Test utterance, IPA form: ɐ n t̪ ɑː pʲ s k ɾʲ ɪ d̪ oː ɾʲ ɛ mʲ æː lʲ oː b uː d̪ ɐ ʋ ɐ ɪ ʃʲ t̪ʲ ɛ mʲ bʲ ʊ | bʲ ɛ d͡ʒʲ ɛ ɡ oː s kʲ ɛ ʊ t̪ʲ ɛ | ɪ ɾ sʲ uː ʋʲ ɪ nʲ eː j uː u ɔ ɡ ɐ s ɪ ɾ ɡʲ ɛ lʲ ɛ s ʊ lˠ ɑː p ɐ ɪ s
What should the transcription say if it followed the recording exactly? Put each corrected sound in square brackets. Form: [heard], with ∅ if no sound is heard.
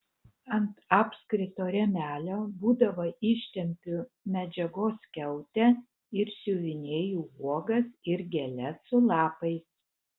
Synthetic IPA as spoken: ɐ n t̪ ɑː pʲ s k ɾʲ ɪ [t̪] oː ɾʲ ɛ mʲ æː lʲ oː b uː d̪ ɐ ʋ ɐ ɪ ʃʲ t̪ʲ ɛ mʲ [pʲ] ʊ | [mʲ] ɛ d͡ʒʲ ɛ ɡ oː s kʲ ɛ ʊ t̪ʲ ɛ | ɪ ɾ sʲ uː ʋʲ ɪ nʲ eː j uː u ɔ ɡ ɐ s ɪ ɾ ɡʲ ɛ lʲ ɛ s ʊ lˠ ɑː p ɐ ɪ s